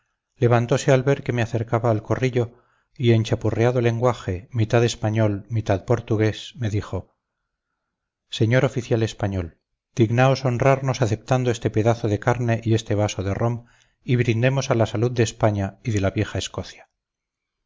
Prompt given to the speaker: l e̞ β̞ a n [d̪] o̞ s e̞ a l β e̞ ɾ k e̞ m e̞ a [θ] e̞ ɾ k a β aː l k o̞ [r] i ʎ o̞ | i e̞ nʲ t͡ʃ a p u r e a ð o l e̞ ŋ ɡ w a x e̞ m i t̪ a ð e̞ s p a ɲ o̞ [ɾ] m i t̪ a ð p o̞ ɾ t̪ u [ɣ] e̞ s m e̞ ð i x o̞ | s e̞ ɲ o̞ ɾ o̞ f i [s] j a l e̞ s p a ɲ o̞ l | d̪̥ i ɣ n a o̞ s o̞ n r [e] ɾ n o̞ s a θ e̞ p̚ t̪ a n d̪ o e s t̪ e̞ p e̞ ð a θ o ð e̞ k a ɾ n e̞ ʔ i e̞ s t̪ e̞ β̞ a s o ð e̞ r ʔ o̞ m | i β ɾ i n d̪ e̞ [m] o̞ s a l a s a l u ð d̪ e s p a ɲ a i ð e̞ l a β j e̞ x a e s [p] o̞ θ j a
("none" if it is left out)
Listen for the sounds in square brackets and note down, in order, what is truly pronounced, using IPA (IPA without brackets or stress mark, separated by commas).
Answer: t̪, θ, r, l, ɣ, θ, a, m, k